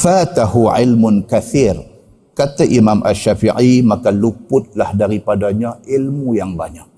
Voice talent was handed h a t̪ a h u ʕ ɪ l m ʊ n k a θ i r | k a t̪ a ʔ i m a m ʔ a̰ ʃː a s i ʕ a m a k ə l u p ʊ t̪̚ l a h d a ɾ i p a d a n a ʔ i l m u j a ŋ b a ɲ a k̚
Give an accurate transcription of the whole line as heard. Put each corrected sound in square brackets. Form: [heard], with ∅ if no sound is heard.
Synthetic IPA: [f] a t̪ a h u ʕ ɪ l m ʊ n k a θ i r | k a t̪ a ʔ i m a m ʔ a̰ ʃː a [f] i ʕ [i] m a k [a] l u p ʊ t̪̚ l a h d a ɾ i p a d a [ɲ] a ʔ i l m u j a ŋ b a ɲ a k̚